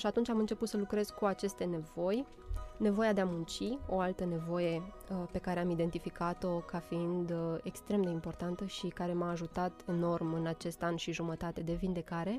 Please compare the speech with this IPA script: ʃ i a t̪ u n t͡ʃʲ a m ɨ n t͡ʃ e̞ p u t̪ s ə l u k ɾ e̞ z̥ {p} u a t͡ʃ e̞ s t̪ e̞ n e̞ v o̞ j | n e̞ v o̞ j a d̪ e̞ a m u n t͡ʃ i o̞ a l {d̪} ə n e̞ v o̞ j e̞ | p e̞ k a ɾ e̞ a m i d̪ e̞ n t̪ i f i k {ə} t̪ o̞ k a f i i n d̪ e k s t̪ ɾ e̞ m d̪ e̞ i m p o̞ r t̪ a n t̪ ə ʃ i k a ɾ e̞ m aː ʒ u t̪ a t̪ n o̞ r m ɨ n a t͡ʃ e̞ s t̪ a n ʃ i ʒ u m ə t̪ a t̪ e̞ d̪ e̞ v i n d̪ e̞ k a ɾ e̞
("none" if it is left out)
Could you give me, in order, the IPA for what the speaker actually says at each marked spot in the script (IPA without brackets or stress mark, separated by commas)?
k, t̪, a